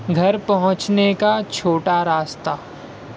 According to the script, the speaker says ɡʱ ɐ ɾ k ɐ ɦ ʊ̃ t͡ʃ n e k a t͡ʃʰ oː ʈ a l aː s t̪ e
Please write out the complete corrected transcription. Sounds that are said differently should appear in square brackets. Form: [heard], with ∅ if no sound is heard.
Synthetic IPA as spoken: ɡʱ ɐ ɾ [p] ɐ ɦ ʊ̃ t͡ʃ n e k a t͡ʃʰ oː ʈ a [ɾ] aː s t̪ [a]